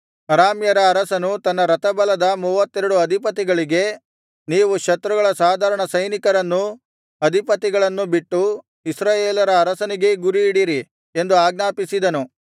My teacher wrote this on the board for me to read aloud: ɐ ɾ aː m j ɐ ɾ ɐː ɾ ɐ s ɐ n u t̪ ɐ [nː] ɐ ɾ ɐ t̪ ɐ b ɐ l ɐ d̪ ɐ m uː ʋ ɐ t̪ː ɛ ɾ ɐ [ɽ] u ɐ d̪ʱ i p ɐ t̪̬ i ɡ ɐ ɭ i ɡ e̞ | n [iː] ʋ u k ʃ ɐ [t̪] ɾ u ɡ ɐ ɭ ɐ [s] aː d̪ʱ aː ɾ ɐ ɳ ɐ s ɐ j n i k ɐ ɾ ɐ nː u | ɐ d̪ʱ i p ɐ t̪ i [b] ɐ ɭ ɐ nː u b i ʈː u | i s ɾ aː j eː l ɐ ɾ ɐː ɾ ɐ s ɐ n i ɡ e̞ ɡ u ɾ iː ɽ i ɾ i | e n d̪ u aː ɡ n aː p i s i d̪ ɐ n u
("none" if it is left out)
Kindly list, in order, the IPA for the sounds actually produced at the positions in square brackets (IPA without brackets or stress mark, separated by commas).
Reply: nː, ɽ, iː, t̪, s, ɡ